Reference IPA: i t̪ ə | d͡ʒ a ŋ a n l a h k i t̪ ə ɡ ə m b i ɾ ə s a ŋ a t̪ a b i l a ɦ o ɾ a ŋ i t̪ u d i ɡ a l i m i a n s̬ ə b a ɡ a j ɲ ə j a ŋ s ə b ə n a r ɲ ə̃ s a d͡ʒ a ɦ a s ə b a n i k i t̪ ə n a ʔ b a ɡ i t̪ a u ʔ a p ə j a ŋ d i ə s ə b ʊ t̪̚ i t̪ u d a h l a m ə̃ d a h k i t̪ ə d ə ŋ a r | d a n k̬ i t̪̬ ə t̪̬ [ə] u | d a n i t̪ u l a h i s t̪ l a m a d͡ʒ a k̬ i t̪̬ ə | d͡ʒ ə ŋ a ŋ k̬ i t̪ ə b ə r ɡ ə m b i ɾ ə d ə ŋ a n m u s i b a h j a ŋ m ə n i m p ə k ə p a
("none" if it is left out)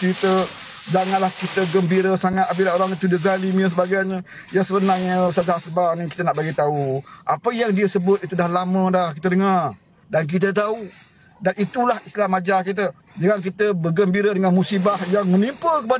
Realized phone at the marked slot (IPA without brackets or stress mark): a